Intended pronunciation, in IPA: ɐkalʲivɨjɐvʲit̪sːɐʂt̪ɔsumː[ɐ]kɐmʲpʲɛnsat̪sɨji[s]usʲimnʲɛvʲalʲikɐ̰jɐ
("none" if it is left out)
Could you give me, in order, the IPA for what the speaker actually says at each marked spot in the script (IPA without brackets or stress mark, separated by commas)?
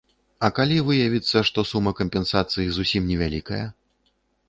ɐ, z